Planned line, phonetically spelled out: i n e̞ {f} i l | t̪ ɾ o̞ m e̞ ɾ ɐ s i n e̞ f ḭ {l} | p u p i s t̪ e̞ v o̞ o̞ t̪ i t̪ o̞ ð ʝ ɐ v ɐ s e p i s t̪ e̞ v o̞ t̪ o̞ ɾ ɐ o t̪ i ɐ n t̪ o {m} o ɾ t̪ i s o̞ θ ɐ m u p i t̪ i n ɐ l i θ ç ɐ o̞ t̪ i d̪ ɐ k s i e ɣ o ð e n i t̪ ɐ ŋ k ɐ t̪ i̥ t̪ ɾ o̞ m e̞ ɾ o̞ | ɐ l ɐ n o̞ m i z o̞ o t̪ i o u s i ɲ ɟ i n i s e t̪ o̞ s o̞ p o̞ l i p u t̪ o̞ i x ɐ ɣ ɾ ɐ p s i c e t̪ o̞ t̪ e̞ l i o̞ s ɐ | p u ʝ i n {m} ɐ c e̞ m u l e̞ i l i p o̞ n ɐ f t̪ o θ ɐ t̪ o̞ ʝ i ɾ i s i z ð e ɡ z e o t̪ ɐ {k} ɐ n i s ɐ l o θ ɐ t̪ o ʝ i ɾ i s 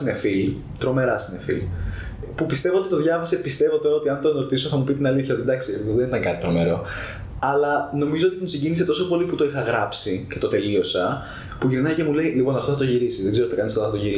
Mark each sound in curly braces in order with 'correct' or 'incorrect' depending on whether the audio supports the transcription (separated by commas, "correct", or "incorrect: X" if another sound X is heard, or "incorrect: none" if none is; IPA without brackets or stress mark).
correct, correct, incorrect: n, incorrect: n, correct